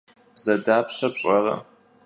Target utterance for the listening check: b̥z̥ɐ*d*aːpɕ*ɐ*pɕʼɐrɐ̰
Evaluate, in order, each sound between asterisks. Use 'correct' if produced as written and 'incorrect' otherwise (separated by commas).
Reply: correct, correct